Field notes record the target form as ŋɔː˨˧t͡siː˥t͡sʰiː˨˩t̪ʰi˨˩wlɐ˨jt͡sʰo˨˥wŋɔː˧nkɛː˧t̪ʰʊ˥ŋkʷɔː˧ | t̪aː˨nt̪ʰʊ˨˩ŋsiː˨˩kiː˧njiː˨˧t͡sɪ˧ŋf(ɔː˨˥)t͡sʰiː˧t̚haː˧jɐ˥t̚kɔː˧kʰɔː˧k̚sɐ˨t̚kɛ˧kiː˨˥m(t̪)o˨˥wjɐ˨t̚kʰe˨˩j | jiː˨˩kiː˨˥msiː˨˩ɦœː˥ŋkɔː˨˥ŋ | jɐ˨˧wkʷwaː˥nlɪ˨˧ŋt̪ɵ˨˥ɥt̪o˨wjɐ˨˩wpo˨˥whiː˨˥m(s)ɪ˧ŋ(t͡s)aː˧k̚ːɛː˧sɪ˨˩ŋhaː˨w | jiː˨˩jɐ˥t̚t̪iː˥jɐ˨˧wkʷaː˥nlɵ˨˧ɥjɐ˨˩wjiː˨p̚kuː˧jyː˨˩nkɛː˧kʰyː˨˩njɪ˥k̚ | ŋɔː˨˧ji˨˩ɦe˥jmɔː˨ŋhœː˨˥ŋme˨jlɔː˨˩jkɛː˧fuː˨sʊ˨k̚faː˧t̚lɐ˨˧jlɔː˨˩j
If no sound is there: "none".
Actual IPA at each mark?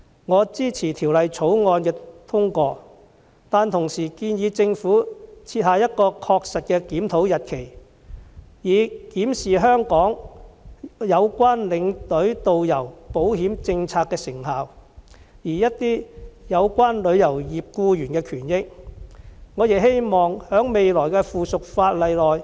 uː˨˥, t̪ʰ, t͡s, t͡sʰ

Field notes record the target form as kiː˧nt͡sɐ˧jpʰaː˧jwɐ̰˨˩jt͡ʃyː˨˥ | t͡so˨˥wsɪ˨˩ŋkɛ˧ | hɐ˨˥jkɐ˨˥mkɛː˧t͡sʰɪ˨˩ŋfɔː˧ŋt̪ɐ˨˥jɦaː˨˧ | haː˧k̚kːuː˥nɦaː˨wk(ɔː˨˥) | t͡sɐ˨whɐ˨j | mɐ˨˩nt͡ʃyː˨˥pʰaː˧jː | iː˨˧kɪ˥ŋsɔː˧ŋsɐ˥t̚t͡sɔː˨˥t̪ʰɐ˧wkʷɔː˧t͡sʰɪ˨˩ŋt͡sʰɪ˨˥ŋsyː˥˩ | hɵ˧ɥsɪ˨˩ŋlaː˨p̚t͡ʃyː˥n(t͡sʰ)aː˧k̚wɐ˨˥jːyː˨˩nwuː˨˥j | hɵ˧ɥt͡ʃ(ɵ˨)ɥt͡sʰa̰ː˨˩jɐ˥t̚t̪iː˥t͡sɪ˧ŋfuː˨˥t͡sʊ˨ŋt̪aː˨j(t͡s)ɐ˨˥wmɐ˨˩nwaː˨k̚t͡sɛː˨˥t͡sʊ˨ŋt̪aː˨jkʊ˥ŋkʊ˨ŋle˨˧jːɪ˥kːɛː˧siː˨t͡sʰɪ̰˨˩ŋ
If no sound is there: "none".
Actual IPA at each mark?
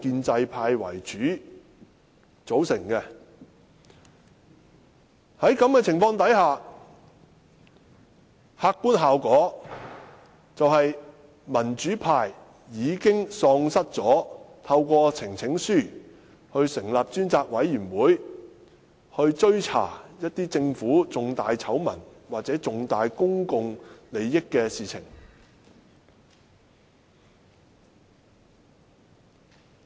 ɔː˨˥, t͡s, ɵ˥, t͡sʰ

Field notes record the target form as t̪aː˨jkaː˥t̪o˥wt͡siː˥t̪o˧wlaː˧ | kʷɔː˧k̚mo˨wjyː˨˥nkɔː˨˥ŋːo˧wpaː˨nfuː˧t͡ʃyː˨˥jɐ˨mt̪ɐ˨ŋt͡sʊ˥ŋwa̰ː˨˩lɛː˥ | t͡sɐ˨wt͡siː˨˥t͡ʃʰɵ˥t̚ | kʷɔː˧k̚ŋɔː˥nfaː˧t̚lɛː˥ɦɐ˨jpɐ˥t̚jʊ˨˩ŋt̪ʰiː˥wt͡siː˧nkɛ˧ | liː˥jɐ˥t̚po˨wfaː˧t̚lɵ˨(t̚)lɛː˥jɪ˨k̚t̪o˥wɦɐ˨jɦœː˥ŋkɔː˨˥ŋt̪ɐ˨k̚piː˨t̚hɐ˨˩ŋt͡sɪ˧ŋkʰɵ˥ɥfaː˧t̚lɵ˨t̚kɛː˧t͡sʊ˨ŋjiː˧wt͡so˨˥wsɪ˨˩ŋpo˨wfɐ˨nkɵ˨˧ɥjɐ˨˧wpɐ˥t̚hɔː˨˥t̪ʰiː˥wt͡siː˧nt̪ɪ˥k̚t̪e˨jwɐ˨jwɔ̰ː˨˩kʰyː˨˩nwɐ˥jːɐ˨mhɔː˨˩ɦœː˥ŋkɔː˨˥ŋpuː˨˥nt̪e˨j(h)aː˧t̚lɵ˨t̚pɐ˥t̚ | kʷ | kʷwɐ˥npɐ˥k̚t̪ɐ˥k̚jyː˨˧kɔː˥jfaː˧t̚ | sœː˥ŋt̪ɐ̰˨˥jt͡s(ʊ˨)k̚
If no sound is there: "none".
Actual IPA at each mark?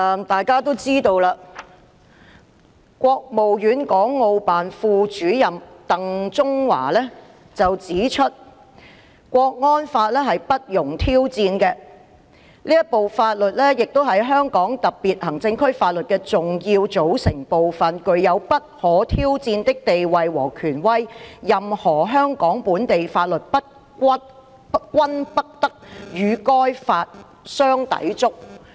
t̚, f, ʊ˥

